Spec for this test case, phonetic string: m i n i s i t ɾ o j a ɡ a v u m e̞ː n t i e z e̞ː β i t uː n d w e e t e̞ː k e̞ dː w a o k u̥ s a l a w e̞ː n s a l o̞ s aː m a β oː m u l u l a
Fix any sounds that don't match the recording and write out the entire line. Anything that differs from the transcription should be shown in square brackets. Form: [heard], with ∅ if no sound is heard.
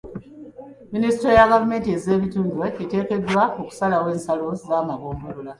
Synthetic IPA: m i n i s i t ɾ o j a ɡ a v u m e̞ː n t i e z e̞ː β i t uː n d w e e t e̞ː k e̞ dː w a o k u̥ s a l a w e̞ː n s a l o̞ [z] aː m a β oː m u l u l a